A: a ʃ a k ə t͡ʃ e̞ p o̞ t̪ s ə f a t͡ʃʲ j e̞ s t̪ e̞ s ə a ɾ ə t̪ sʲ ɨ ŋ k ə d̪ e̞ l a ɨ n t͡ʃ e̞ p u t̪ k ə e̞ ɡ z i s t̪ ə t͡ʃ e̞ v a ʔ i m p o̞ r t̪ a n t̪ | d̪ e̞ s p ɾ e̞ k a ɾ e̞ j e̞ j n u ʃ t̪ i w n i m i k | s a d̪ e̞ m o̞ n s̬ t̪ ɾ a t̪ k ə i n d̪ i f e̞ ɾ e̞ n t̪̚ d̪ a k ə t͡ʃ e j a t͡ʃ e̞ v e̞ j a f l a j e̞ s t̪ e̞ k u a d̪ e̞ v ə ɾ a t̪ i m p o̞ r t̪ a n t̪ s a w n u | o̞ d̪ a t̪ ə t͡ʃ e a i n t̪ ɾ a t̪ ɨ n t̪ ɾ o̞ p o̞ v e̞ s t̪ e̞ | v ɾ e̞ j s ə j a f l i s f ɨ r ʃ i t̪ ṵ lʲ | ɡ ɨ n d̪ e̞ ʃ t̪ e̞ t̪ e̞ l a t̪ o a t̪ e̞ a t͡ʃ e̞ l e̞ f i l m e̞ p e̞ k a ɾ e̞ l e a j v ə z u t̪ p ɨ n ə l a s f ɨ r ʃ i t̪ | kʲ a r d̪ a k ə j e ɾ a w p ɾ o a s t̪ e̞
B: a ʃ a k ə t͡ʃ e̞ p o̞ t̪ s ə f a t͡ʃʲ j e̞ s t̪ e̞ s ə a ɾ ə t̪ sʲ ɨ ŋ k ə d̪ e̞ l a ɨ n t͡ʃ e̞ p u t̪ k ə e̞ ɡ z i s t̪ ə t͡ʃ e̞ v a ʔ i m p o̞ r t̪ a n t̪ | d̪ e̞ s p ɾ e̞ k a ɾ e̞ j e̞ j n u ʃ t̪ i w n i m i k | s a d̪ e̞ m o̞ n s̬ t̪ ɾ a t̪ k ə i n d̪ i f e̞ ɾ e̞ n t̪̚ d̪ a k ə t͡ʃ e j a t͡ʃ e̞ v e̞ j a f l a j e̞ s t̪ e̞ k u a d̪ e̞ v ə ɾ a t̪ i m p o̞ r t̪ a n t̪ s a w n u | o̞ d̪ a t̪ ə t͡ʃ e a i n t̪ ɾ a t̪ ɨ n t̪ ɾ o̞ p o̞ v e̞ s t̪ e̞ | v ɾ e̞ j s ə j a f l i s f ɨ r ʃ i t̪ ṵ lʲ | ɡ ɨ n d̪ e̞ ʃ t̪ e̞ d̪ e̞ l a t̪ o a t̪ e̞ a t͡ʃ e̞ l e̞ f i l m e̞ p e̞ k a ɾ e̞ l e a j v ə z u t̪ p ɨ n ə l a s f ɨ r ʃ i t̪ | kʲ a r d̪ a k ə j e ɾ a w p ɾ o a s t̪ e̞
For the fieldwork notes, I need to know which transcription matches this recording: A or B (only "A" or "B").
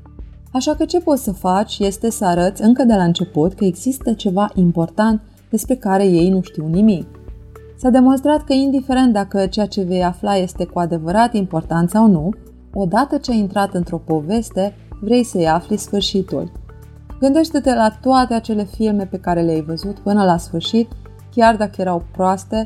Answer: A